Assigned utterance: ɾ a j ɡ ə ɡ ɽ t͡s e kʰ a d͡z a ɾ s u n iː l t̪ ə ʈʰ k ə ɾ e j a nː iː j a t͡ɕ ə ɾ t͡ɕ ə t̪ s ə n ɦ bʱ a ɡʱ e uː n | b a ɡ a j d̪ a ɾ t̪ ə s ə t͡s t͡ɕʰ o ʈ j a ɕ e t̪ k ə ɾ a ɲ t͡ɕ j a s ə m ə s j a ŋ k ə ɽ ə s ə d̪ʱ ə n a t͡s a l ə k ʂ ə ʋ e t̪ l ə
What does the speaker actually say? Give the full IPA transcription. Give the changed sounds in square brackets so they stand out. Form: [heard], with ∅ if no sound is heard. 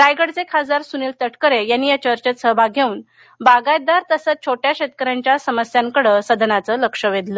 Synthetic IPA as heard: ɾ a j ɡ ə [∅] ɽ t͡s e kʰ a d͡z a ɾ s u n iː l t̪ ə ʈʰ k ə ɾ e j a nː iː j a t͡ɕ ə ɾ t͡ɕ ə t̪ s ə [∅] ɦ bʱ a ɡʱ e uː n | b a ɡ a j d̪ a ɾ t̪ ə s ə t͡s t͡ɕʰ o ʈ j a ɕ e t̪ k ə ɾ a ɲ t͡ɕ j a s ə m ə s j a ŋ k ə ɽ ə s ə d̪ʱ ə n a t͡s [ə] l ə k ʂ ə ʋ e [d̪] l ə